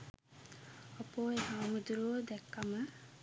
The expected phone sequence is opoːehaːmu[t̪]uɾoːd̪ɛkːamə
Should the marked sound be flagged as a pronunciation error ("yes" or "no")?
yes